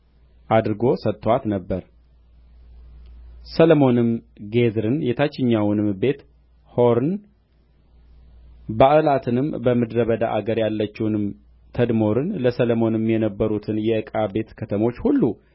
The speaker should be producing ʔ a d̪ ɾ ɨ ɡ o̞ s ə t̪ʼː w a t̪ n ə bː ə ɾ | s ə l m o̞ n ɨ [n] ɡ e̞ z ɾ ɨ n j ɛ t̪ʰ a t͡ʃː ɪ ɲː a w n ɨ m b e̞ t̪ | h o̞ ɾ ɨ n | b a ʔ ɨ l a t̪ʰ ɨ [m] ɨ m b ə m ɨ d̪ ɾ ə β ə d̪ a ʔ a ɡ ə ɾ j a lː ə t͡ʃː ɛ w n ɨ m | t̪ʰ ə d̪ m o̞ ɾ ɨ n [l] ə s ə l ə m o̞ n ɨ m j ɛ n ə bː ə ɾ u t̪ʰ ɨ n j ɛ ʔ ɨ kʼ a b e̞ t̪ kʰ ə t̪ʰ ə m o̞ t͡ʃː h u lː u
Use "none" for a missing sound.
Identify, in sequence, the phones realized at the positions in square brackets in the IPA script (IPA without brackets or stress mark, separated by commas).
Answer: m, n, l